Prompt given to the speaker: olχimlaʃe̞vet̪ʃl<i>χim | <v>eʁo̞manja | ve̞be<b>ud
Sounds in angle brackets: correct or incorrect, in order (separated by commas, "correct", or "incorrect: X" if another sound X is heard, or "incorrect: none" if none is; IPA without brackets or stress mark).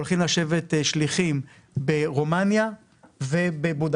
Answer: correct, incorrect: b, correct